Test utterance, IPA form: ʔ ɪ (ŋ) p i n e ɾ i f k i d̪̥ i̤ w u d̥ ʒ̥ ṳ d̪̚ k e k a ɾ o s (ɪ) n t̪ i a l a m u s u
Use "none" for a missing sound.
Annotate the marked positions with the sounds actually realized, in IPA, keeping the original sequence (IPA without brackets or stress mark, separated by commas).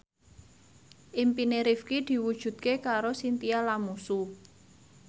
m, i